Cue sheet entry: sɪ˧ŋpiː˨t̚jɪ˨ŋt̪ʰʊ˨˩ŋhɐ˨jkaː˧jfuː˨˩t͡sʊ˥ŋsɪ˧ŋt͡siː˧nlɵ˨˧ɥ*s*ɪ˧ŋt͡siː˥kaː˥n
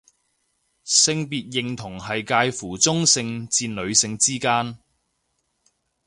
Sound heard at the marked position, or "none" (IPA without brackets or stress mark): s